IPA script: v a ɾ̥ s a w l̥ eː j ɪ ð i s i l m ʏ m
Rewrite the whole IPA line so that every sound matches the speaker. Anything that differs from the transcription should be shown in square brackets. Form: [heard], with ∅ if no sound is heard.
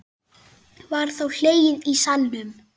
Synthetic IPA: v a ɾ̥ [θ] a w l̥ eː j ɪ ð i s [a] l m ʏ m